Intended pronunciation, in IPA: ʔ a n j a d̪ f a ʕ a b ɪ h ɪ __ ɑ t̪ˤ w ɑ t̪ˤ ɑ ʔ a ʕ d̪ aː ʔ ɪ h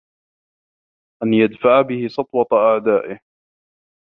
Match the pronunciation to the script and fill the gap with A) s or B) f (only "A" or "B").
A